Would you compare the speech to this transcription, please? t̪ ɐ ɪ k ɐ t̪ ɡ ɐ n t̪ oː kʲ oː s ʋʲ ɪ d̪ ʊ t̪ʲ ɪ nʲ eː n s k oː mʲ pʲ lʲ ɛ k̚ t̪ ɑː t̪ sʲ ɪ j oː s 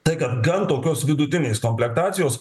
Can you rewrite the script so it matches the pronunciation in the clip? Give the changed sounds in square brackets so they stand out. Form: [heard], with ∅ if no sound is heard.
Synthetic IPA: t̪ ɐ ɪ k ɐ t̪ ɡ ɐ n t̪ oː kʲ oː s ʋʲ ɪ d̪ ʊ t̪ʲ ɪ nʲ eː [∅] s k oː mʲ pʲ lʲ ɛ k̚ t̪ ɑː t̪ sʲ ɪ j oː s